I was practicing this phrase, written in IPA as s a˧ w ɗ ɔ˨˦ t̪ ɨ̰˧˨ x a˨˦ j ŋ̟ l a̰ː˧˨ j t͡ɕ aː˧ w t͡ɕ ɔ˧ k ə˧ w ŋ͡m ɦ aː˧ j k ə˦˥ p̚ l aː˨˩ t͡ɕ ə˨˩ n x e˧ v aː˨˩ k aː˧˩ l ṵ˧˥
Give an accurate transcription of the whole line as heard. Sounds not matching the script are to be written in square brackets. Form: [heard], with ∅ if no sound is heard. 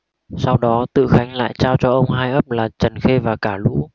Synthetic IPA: s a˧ w ɗ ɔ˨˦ t̪ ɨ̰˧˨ x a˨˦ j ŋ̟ l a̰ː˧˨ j t͡ɕ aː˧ w t͡ɕ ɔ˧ [ʔ] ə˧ w ŋ͡m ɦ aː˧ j [ʔ] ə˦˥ p̚ l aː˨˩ t͡ɕ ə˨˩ n x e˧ v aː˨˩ k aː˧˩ l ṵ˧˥